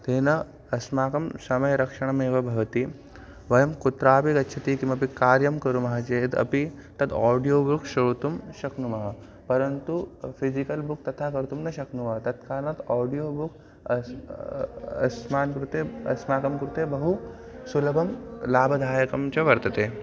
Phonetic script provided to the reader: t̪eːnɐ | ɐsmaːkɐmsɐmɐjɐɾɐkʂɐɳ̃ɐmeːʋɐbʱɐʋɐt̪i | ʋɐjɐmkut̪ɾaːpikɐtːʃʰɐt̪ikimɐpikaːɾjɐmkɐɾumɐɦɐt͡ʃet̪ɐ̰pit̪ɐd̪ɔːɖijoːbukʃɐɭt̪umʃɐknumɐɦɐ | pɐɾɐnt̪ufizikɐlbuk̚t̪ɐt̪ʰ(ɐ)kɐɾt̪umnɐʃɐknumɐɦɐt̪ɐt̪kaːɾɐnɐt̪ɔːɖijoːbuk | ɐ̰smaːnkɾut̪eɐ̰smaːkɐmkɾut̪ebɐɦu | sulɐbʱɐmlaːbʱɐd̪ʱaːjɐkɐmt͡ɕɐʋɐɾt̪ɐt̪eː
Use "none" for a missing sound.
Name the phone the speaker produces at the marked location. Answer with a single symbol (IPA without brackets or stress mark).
a